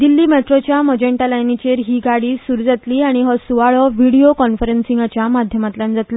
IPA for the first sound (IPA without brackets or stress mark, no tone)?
d̪